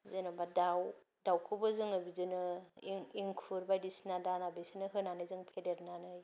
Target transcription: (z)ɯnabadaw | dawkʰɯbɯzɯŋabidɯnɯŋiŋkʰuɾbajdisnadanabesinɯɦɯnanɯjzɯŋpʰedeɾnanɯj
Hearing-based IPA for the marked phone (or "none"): z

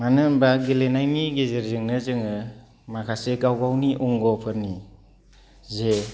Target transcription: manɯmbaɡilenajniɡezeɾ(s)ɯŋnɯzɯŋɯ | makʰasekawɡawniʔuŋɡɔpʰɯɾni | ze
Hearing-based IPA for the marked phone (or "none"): z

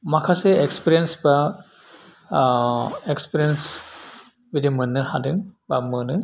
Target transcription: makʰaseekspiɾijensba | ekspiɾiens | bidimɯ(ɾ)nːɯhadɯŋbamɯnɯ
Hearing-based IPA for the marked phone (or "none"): none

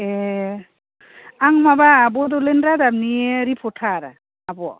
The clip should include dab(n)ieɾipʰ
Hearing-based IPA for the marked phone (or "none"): n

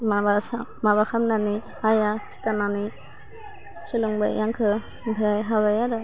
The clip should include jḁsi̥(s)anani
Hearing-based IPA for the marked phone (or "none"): t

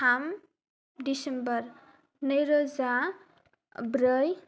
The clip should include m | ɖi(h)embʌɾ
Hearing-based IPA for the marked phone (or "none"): s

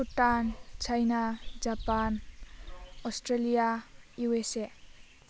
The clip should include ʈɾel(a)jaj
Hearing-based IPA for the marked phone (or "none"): i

